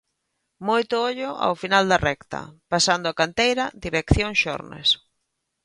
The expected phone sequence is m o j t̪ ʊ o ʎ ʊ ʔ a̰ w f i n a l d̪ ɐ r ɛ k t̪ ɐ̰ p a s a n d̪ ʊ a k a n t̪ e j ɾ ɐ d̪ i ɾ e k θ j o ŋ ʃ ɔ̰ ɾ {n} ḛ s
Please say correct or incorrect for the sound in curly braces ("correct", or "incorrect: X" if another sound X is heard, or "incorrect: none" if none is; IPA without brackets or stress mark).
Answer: correct